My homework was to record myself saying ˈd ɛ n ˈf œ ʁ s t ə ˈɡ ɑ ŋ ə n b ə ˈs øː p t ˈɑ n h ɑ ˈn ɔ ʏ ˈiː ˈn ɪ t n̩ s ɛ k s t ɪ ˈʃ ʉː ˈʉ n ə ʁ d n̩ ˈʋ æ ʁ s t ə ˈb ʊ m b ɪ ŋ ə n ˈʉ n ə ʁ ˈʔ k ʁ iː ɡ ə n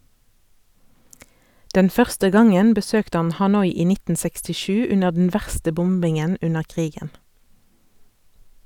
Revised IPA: ˈd ɛ n ˈf œ ʁ s t ə ˈɡ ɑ ŋ ə n b ə ˈs øː k t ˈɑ n h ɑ ˈn ɔ ʏ ˈiː ˈn ɪ t n̩ s ɛ k s t ɪ ˈʃ ʉː ˈʉ n ə ʁ d n̩ ˈʋ æ ʁ s t ə ˈb ʊ m b ɪ ŋ ə n ˈʉ n ə ʁ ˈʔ k ʁ iː ɡ ə n

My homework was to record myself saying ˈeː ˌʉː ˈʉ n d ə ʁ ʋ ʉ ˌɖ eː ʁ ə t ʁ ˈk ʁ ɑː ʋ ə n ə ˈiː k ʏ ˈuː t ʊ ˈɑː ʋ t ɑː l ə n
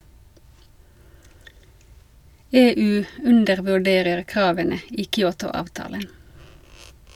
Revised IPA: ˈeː ˌʉː ˈʉ n d ə ʁ ʋ ʉ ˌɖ eː ʁ ə ʁ ˈk ʁ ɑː ʋ ə n ə ˈiː k ʏ ˈuː t ʊ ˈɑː ʋ t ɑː l ə n

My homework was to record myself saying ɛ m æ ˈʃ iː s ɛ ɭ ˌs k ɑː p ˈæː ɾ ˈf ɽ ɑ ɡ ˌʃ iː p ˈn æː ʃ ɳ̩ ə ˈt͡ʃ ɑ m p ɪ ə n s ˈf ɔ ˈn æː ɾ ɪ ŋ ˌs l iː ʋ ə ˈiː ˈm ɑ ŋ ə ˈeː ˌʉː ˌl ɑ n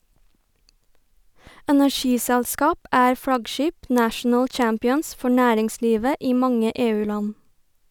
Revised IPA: ɛ n æ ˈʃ iː s ɛ ɭ ˌs k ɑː p ˈæː ɾ ˈf ɽ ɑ ɡ ˌʃ iː p ˈn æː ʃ ɳ̩ ə ˈt͡ʃ ɑ m p ɪ ə n s ˈf ɔ ˈn æː ɾ ɪ ŋ ˌs l iː ʋ ə ˈiː ˈm ɑ ŋ ə ˈeː ˌʉː ˌl ɑ n

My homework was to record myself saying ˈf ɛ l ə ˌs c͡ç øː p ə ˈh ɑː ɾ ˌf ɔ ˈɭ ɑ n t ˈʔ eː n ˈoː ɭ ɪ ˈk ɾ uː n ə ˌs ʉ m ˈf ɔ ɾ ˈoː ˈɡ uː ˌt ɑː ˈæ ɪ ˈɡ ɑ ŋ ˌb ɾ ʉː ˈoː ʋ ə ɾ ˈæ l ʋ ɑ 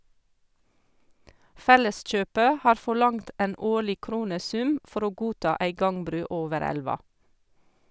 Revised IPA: ˈf ɛ l ə ˌs c͡ç øː p ə ˈh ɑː ɾ ˌf ɔ ˈɭ ɑ ŋ t ˈʔ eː n ˈoː ɭ ɪ ˈk ɾ uː n ə ˌs ʉ m ˈf ɔ ɾ ˈoː ˈɡ uː ˌt ɑː ˈæ ɪ ˈɡ ɑ ŋ ˌb ɾ ʉː ˈoː ʋ ə ɾ ˈæ l ʋ ɑ

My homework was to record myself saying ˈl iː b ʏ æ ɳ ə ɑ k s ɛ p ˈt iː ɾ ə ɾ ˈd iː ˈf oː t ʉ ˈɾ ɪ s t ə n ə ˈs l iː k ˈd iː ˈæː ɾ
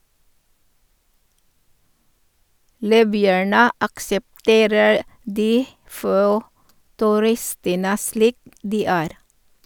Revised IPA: ˈl iː b ʏ æ ɳ ə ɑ k s ɛ p ˈt eː ɾ ə ɾ ˈd iː ˈf oː t ʉ ˈɾ ɪ s t ə n ə ˈs l iː k ˈd iː ˈæː ɾ

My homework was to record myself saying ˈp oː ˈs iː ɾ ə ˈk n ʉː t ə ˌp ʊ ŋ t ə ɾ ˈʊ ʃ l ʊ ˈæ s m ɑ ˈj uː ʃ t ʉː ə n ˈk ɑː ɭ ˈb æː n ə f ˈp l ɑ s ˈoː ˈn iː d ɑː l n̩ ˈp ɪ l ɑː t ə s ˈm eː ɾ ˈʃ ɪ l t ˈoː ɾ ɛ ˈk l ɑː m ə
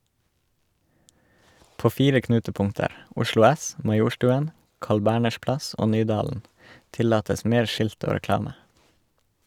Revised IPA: ˈp oː ˈf iː ɾ ə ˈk n ʉː t ə ˌp ʊ ŋ t ə ɾ ˈʊ ʃ l ʊ ˈæ s m ɑ ˈj uː ʃ t ʉː ə n ˈk ɑː ɭ ˈb æː ɳ ə ʃ ˈp l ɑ s ˈoː ˈn yː d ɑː l n̩ ˈt ɪ l ɑː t ə s ˈm eː ɾ ˈʃ ɪ l t ˈoː ɾ ɛ ˈk l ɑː m ə

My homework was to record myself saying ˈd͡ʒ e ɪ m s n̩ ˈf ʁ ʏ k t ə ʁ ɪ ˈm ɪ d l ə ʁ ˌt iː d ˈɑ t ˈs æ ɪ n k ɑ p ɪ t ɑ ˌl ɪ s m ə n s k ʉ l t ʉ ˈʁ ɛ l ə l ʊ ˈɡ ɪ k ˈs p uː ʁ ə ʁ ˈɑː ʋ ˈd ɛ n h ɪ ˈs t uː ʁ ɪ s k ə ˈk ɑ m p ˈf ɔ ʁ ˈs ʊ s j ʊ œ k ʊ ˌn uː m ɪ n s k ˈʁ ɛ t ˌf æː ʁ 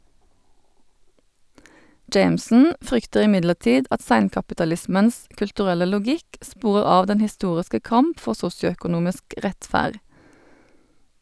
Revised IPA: ˈd͡ʒ e ɪ m s n̩ ˈf ʁ ʏ k t ə ʁ ɪ ˈm ɪ d l ə ʁ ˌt iː d ˈɑ t ˈs æ ɪ n k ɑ p ɪ t ɑ ˌl ɪ s m ə n s k ʉ l t ʉ ˈʁ ɛ l ə l ʊ ˈɡ ɪ k ˈs p uː ʁ ə ʁ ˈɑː ʋ ˈd ɛ n h ɪ ˈs t uː ʁ ɪ s k ə ˈk ɑ m p ˈf ɔ ʁ ˈs ʊ s j ʊ œ k ʊ ˌn uː m ɪ s k ˈʁ ɛ t ˌf æː ʁ

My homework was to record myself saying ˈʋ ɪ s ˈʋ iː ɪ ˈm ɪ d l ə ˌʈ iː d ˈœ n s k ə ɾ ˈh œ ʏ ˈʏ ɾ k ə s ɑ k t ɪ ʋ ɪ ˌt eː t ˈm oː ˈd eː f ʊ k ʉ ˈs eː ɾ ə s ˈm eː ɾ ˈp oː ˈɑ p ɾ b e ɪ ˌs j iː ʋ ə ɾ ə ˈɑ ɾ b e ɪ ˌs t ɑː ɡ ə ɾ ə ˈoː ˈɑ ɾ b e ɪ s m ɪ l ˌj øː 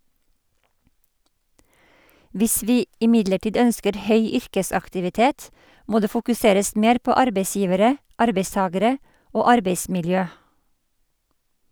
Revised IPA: ˈʋ ɪ s ˈʋ iː ɪ ˈm ɪ d l ə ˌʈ iː d ˈœ n s k ə ɾ ˈh œ ʏ ˈʏ ɾ k ə s ɑ k t ɪ ʋ ɪ ˌt eː t ˈm oː ˈd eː f ʊ k ʉ ˈs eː ɾ ə s ˈm eː ɾ ˈp oː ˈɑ ɾ b e ɪ ˌs j iː ʋ ə ɾ ə ˈɑ ɾ b e ɪ ˌs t ɑː ɡ ə ɾ ə ˈoː ˈɑ ɾ b e ɪ s m ɪ l ˌj øː

